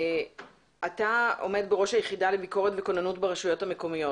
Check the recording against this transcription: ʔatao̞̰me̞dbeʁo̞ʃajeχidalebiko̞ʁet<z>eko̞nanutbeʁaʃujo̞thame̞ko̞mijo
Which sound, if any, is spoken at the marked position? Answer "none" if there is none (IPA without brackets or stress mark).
v